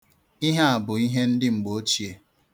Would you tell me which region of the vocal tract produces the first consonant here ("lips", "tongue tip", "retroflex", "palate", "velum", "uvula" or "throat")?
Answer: throat